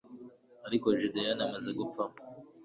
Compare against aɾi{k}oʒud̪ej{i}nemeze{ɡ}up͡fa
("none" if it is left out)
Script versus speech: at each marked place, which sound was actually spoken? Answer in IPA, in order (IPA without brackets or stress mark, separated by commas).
k, a, ɡ